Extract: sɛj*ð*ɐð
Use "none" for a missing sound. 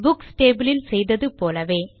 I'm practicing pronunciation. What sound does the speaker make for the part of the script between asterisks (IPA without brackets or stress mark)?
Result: ð